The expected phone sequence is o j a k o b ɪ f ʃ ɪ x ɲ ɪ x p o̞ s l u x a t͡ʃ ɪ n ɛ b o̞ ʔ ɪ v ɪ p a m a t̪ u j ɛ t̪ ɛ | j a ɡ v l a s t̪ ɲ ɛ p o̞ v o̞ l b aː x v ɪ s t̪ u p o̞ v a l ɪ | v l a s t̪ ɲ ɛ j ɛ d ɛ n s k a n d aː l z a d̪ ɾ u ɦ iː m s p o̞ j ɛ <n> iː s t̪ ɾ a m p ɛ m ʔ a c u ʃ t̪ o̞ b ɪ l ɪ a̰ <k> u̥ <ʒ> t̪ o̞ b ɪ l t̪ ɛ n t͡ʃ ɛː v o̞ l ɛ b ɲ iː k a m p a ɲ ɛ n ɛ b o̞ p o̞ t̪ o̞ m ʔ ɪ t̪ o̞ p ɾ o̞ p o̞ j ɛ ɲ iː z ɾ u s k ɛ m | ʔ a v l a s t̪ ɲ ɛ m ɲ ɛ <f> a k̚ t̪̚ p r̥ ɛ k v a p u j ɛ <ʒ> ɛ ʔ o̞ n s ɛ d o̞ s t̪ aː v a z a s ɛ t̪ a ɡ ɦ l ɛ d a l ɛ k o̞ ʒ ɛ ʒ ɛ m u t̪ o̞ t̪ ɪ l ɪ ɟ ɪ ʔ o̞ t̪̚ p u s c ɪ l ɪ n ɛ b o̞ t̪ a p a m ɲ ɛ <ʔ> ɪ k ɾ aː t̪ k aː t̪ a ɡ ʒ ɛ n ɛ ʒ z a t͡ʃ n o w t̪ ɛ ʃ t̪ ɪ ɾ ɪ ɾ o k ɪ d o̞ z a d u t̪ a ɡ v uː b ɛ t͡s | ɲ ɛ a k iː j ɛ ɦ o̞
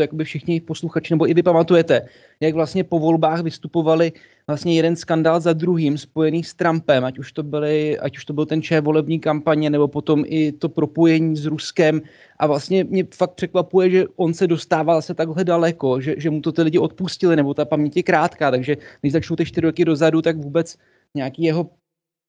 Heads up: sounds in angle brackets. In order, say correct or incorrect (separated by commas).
correct, incorrect, incorrect, correct, correct, incorrect